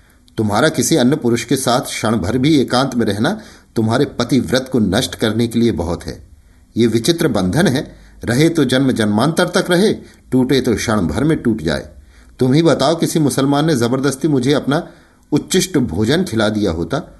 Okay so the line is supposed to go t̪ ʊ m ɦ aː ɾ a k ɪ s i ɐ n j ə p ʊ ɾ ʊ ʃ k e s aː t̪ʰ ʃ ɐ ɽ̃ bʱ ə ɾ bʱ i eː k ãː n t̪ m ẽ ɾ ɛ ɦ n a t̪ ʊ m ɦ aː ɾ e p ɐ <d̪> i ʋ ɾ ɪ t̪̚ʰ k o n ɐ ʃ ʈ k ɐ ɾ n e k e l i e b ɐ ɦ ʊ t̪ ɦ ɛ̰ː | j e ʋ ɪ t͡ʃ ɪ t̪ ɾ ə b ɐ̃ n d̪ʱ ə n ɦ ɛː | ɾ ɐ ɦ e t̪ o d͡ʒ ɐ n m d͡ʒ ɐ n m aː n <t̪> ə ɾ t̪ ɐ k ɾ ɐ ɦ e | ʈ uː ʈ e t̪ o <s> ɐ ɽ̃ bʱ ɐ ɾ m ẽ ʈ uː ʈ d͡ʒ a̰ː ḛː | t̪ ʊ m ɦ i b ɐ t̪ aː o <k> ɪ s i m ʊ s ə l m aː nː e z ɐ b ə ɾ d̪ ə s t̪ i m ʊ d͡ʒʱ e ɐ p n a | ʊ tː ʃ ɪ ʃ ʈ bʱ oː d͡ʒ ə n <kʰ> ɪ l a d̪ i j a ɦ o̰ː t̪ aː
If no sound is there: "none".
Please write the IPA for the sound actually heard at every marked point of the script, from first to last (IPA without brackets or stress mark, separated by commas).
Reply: t̪, t̪, ʃ, k, kʰ